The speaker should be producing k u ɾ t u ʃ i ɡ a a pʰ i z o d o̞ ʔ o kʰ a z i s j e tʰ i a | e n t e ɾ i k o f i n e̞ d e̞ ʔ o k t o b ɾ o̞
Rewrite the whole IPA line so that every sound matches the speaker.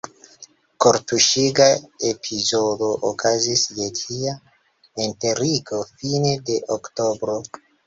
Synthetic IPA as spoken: k o ɾ t u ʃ i ɡ a e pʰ i z o d o̞ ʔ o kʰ a z i s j e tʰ i a | e n t e ɾ i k o f i n e̞ d e̞ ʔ o k t o b ɾ o̞